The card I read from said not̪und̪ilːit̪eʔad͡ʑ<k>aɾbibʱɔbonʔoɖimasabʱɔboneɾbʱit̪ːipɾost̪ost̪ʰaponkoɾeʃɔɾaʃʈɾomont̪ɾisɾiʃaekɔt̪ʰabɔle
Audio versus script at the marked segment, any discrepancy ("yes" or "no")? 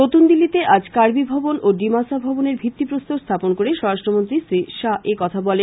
no